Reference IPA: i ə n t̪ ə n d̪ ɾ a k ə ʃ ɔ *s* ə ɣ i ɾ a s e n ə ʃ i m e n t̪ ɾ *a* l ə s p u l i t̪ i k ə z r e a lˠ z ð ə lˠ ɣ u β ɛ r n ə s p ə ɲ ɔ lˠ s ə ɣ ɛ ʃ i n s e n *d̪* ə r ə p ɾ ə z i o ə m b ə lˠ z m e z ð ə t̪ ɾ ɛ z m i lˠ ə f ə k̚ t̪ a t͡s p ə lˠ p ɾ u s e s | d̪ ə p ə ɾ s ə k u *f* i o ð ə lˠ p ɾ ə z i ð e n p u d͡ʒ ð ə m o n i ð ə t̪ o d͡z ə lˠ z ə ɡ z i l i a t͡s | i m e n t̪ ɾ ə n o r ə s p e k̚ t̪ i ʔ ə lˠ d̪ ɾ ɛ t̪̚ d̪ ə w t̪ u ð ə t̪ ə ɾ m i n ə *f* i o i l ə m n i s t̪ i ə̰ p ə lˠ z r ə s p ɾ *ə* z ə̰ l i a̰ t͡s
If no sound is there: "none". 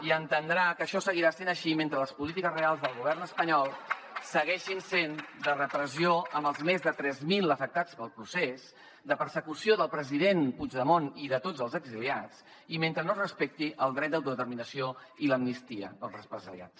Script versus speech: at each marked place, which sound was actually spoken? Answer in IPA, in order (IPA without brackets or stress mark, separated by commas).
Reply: s, ə, d̪, s, s, ə